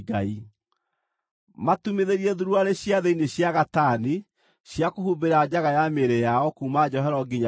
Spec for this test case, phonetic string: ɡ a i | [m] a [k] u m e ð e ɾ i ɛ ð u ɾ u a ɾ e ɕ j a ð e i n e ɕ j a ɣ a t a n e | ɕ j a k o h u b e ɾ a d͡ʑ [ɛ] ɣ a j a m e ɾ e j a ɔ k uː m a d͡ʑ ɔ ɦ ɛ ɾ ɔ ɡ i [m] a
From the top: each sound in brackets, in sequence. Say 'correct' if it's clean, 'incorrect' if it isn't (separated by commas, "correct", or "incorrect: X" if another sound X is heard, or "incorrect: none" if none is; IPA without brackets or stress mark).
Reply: correct, incorrect: t, incorrect: a, incorrect: ɲ